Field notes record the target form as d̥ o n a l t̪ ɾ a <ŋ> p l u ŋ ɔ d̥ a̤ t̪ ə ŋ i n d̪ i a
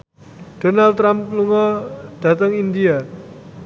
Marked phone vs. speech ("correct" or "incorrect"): incorrect